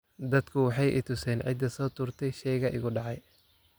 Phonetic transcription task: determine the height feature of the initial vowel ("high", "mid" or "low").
low